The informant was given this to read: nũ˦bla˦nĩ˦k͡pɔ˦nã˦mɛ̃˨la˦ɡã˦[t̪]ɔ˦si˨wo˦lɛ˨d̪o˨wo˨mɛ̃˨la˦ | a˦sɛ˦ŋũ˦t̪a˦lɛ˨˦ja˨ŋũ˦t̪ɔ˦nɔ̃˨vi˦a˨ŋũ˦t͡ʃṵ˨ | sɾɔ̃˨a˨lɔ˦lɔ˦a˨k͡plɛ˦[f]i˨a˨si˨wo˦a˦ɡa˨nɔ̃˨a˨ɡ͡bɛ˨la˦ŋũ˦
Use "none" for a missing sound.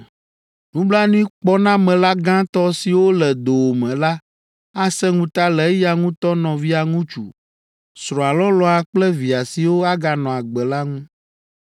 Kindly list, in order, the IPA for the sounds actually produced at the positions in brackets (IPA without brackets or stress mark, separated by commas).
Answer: t̪, v